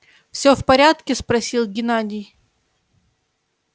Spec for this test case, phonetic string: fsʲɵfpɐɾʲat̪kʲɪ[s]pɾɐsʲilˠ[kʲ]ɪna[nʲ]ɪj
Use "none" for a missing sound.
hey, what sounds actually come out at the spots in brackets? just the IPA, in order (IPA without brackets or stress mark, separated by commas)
s, ɡʲ, dʲ